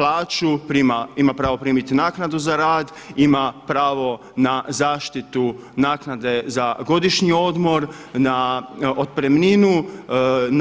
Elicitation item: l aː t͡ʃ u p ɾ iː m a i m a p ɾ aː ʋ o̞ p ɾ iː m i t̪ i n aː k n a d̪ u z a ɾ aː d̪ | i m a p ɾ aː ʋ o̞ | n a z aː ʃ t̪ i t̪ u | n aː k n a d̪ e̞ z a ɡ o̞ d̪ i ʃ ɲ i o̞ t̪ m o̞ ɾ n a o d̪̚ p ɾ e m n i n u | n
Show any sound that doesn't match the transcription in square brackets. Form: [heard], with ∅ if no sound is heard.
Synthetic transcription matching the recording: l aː t͡ʃ u p ɾ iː m a i m a p ɾ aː ʋ o̞ p ɾ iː m i t̪ i n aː k n a d̪ u z a ɾ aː d̪ | i m a p ɾ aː ʋ o̞ | n a z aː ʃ t̪ i t̪ u | n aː k n a d̪ e̞ z a ɡ o̞ d̪ i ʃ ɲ i o̞ [d̪] m o̞ ɾ n a o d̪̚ p ɾ e m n i n u | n